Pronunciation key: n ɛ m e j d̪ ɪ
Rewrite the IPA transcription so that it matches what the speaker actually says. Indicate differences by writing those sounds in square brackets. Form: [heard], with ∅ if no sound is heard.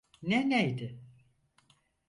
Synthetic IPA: n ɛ [n] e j d̪ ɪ